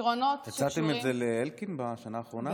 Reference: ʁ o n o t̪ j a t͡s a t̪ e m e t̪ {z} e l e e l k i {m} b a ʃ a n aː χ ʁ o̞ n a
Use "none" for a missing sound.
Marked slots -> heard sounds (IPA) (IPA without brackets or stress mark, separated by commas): z, n